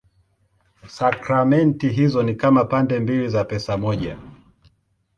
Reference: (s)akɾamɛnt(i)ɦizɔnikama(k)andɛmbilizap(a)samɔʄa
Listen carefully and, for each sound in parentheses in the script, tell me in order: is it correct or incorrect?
correct, correct, incorrect, incorrect

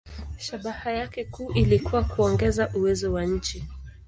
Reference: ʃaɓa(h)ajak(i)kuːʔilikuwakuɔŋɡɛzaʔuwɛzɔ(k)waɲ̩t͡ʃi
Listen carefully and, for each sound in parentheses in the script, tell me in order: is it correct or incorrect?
correct, incorrect, incorrect

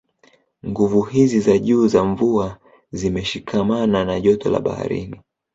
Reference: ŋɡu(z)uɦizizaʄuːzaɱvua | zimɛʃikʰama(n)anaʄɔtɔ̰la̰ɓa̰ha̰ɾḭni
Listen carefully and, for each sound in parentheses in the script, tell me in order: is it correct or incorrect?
incorrect, correct

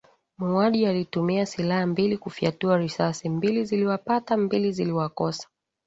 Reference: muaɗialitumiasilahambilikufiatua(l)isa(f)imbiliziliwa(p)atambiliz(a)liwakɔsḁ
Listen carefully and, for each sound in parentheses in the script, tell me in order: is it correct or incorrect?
incorrect, incorrect, correct, incorrect

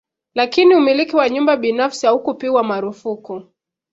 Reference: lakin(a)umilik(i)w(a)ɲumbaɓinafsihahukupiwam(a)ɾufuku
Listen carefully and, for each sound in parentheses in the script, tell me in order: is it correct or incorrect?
incorrect, correct, correct, correct

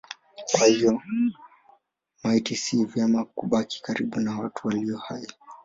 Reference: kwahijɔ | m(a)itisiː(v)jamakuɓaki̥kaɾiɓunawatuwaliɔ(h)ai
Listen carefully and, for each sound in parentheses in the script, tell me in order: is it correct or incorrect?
correct, correct, correct

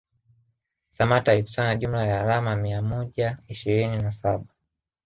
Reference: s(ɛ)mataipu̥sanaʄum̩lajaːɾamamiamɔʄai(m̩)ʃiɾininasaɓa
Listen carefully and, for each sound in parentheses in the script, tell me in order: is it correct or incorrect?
incorrect, incorrect

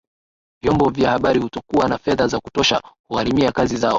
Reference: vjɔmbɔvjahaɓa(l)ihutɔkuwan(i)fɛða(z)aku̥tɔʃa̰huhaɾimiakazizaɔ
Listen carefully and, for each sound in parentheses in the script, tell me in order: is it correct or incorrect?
incorrect, incorrect, correct

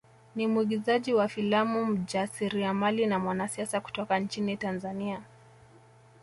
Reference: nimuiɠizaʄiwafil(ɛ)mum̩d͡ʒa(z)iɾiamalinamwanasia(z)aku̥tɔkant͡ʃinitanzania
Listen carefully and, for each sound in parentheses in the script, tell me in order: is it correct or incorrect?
incorrect, incorrect, incorrect

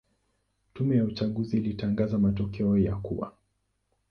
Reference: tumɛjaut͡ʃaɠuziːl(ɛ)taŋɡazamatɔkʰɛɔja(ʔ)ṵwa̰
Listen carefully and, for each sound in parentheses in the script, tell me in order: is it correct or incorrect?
incorrect, incorrect

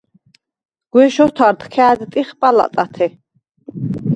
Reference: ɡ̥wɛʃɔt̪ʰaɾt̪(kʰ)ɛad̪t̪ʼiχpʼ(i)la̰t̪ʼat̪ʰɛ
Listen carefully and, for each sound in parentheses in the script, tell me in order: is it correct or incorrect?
correct, incorrect

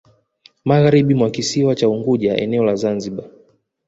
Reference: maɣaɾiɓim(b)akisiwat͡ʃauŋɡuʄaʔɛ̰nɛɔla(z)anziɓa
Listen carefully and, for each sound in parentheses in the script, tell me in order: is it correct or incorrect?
incorrect, correct

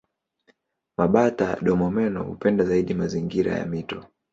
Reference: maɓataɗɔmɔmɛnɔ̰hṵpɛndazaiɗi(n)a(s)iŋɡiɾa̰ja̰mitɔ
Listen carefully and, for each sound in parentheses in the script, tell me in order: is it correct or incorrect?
incorrect, incorrect

